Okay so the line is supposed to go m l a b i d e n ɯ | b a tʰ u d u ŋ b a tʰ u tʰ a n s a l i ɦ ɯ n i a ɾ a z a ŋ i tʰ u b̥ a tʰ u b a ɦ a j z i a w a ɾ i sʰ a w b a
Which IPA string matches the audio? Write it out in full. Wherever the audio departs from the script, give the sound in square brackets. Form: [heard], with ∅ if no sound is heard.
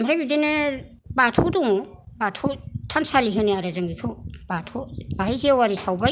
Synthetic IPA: m [ɾ] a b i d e n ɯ | b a tʰ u d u ŋ b a tʰ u tʰ a n s a l i ɦ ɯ n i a ɾ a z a ŋ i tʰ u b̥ a tʰ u b a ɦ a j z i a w a ɾ i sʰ a w b a